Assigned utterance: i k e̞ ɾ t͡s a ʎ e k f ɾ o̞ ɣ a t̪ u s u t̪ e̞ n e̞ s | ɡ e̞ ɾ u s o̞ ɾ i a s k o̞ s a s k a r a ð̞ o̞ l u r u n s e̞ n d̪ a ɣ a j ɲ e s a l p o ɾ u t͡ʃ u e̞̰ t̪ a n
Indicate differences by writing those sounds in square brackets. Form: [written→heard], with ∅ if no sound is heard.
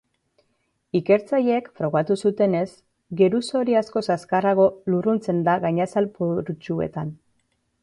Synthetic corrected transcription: i k e̞ ɾ t͡s a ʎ e k f ɾ o̞ ɣ a t̪ u s u t̪ e̞ n e̞ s | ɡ e̞ ɾ u s o̞ ɾ i a s k o̞ s a s k a r a [ð̞→ɣ̞] o̞ l u r u n [s→t͡s] e̞ n d̪ a ɣ a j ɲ [e→a] s a l p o ɾ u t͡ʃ u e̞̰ t̪ a n

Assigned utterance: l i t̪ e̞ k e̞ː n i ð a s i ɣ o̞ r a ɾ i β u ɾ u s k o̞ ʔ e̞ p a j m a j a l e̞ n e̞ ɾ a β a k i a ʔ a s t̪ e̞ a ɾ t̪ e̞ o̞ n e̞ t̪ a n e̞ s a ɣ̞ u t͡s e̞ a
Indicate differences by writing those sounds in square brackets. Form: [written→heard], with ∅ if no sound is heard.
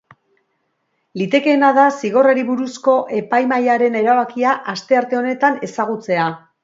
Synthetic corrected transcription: l i t̪ e̞ k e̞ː n [i→a] ð a s i ɣ o̞ r a ɾ i β u ɾ u s k o̞ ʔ e̞ p a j m a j a [l→ɾ] e̞ n e̞ ɾ a β a k i a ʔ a s t̪ e̞ a ɾ t̪ e̞ o̞ n e̞ t̪ a n e̞ s a ɣ̞ u t͡s e̞ a

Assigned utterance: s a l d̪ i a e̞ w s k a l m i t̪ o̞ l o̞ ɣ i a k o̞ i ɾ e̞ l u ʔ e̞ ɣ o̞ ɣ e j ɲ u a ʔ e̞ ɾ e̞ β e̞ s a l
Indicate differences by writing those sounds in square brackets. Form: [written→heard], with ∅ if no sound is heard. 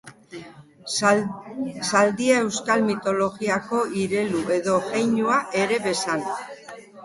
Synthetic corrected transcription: s a l d̪ i a e̞ w s k a l m i t̪ o̞ l o̞ ɣ i a k o̞ i ɾ e̞ l u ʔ e̞ [ɣ→ð] o̞ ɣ e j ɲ u a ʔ e̞ ɾ e̞ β e̞ s a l

